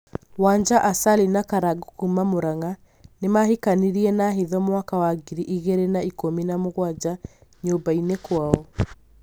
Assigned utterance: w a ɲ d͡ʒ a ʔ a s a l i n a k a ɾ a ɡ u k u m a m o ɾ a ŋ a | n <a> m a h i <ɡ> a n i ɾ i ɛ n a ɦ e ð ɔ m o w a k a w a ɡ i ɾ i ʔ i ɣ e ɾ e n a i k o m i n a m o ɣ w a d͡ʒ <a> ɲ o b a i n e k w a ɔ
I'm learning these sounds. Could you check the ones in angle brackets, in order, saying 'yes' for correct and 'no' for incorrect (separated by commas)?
no, no, yes